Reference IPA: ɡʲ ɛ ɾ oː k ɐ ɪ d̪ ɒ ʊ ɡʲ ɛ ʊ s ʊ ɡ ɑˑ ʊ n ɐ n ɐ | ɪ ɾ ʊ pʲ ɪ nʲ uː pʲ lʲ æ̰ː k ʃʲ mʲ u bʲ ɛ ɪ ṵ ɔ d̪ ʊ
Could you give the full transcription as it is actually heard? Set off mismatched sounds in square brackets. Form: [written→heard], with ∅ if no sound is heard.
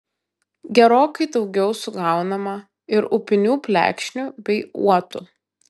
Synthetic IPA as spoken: ɡʲ ɛ ɾ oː k ɐ ɪ d̪ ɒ ʊ ɡʲ ɛ ʊ s ʊ ɡ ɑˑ ʊ n ɐ [n→m] ɐ | ɪ ɾ ʊ pʲ ɪ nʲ uː pʲ lʲ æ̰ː k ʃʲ [mʲ→nʲ] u bʲ ɛ ɪ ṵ ɔ [d̪→t̪] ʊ